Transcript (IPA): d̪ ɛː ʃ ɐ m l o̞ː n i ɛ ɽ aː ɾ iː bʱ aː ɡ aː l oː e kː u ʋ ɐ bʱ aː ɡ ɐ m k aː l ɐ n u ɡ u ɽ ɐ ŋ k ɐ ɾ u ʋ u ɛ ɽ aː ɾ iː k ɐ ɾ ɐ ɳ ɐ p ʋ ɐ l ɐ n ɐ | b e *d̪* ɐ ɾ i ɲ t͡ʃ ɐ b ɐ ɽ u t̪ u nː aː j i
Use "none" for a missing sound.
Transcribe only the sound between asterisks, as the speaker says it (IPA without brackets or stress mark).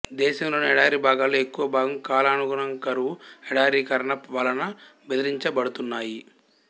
d̪